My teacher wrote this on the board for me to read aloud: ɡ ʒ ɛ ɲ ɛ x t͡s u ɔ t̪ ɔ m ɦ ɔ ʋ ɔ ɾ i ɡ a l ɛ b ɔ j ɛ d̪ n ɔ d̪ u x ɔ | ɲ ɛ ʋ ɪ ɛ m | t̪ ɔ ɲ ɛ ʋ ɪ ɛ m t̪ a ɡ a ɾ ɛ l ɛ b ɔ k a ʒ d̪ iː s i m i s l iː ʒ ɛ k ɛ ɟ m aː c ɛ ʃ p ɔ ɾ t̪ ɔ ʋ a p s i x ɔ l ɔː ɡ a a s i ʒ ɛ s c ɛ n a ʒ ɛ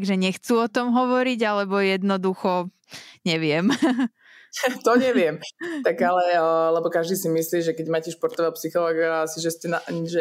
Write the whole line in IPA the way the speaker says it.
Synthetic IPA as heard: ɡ ʒ ɛ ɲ ɛ x t͡s u ɔ t̪ ɔ m ɦ ɔ ʋ ɔ ɾ i ɟ a l ɛ b ɔ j ɛ d̪ n ɔ d̪ u x ɔ | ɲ ɛ ʋ ɪ ɛ m | t̪ ɔ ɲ ɛ ʋ ɪ ɛ m t̪ a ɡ a l ɛ l ɛ b ɔ k a ʒ d̪ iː s i m i s l iː ʒ ɛ k ɛ ɟ m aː c ɛ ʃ p ɔ ɾ t̪ ɔ ʋ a p s i x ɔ l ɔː ɡ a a s i ʒ ɛ s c ɛ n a ʒ ɛ